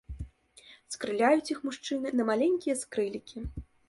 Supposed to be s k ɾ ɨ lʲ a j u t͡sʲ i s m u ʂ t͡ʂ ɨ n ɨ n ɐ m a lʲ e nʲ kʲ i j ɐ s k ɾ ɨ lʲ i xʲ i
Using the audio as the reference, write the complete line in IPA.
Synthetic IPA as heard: s k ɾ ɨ lʲ a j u t͡sʲ i x m u ʂ t͡ʂ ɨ n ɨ n ɐ m a lʲ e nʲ kʲ i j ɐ s k ɾ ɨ lʲ i kʲ i